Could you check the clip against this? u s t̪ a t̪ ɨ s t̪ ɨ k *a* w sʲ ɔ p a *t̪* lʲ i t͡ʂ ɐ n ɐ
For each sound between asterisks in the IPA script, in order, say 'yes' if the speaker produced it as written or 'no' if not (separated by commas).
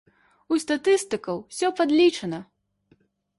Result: no, no